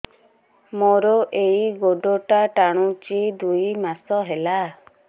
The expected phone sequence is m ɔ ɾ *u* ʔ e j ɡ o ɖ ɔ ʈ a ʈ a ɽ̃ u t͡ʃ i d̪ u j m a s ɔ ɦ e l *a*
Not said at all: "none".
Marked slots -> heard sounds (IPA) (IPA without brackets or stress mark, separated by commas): ɔ, a